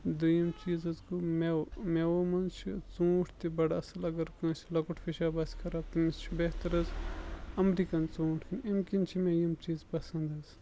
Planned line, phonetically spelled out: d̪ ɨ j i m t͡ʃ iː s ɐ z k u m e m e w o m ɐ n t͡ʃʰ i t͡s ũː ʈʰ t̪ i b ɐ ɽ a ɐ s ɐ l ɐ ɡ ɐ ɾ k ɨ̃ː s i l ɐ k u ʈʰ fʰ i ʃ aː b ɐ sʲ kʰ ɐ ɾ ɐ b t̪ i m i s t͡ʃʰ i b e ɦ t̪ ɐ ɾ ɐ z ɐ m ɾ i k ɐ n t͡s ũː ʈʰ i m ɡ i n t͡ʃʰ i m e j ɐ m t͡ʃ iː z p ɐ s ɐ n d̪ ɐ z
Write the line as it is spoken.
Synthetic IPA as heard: d̪ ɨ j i m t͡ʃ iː z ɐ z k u m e m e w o m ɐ n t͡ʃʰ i t͡s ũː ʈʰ t̪ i b ɐ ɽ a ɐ s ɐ l ɐ ɡ ɐ ɾ k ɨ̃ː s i l ɐ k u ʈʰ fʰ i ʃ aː b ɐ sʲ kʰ ɐ ɾ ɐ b t̪ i m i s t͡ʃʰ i b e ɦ t̪ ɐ ɾ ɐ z ɐ m ɾ i k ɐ n t͡s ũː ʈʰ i m k i n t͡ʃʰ i m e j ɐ m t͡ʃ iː z p ɐ s ɐ n d̪ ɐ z

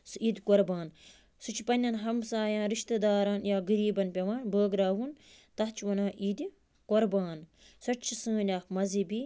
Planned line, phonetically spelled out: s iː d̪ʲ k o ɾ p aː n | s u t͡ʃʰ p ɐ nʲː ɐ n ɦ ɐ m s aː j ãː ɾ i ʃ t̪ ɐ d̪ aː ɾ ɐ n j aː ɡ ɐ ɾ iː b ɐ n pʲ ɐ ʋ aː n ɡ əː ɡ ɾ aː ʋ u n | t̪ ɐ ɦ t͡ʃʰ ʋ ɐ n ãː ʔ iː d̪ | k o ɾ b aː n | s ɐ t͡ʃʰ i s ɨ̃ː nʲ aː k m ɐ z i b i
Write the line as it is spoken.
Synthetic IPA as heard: s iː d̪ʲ k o ɾ b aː n | s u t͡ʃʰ p ɐ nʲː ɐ n ɦ ɐ m s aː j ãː ɾ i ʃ t̪ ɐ d̪ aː ɾ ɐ n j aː ɡ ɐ ɾ iː b ɐ n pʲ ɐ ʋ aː n b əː ɡ ɾ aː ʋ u n | t̪ ɐ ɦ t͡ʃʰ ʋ ɐ n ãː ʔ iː d̪ | k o ɾ b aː n | s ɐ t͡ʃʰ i s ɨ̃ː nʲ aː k m ɐ z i b i

